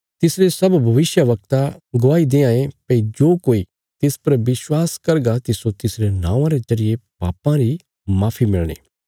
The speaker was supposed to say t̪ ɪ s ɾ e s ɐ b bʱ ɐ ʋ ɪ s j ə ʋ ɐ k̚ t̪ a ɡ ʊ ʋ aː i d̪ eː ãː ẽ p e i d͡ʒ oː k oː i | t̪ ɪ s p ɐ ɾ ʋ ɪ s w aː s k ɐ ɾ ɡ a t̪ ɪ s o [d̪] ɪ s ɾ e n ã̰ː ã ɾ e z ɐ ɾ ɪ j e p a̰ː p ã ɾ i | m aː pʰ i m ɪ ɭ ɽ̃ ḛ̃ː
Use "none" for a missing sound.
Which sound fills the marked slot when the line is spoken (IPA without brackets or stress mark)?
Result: t̪